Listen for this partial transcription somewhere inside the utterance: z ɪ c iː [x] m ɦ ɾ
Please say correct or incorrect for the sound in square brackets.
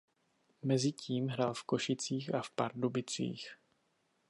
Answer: incorrect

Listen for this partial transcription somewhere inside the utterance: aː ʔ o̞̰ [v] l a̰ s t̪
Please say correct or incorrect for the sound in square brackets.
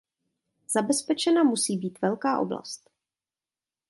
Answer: incorrect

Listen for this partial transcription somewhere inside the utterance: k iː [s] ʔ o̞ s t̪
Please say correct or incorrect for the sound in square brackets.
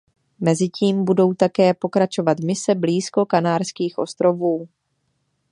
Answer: incorrect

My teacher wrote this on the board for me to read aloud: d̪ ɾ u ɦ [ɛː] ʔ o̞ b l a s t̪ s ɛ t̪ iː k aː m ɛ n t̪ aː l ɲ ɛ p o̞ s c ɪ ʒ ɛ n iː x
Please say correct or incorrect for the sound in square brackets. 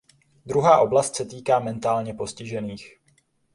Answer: incorrect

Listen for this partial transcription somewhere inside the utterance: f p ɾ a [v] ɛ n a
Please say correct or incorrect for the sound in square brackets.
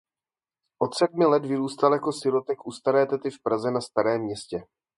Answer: incorrect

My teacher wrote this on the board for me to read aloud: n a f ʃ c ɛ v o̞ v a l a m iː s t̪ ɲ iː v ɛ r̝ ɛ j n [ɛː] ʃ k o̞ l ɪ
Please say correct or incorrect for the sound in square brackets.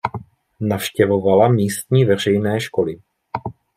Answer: correct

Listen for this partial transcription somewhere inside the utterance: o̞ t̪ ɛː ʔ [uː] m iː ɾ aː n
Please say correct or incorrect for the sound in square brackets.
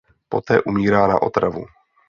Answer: incorrect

